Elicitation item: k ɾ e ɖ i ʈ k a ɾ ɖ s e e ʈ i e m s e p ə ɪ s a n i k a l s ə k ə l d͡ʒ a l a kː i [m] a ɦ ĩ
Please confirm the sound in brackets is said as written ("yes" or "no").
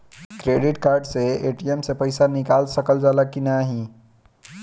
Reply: no